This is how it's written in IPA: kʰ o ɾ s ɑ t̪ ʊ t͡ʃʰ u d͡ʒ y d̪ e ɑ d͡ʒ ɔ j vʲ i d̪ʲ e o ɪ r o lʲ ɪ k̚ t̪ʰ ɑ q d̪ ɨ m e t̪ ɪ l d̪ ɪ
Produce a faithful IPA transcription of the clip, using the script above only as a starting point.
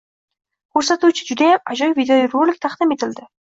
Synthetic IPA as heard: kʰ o ɾ s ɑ t̪ u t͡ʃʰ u d͡ʒ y d̪ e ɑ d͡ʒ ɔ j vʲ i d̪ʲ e o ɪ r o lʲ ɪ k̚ t̪ʰ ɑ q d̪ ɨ m e t̪ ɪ l d̪ ɪ